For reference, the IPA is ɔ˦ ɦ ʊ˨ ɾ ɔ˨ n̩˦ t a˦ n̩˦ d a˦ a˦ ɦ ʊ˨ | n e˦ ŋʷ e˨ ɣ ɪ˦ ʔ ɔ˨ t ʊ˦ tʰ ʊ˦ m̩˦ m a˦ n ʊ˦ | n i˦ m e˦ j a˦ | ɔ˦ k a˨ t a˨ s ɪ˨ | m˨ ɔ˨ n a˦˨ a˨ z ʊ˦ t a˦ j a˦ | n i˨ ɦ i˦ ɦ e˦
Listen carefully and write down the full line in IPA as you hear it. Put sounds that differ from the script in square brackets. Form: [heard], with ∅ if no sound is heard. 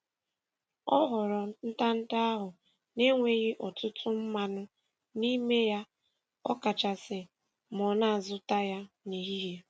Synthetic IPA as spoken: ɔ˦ ɦ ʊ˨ ɾ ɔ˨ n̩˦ t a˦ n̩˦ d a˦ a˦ ɦ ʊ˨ | n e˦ ŋʷ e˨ ɣ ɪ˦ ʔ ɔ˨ t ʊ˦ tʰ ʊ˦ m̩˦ m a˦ n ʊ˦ | n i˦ m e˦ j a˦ | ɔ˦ k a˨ [t͡ʃ] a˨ s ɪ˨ | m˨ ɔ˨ n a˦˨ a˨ z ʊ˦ t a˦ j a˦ | n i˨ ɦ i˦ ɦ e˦